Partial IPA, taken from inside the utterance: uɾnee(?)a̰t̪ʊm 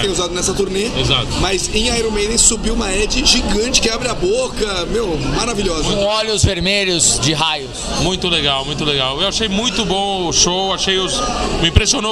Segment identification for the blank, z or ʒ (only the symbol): z